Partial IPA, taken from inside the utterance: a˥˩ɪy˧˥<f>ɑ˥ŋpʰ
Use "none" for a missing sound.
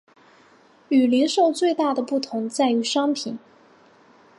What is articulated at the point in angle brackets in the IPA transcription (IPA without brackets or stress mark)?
ʂ